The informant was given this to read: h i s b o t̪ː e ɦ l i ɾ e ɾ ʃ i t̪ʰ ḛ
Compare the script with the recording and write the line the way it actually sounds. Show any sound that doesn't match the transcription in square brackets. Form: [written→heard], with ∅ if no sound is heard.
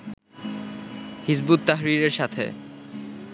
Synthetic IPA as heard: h i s b [o→u] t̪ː [e→a] ɦ [l→ɾ] i ɾ e ɾ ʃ [i→a] t̪ʰ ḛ